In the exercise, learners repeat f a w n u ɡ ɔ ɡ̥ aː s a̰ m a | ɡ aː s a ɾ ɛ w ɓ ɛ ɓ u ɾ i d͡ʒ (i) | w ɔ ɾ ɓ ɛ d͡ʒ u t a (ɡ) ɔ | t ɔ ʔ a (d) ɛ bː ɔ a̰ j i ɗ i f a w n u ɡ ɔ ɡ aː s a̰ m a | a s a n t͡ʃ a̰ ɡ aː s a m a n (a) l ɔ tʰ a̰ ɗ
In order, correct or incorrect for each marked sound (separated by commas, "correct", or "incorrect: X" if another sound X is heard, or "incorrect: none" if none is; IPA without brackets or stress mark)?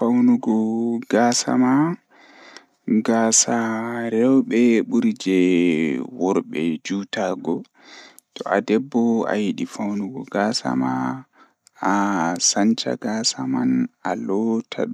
incorrect: ɛ, correct, correct, correct